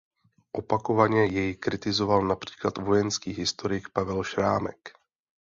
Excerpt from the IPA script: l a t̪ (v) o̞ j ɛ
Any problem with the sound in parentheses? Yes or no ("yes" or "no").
no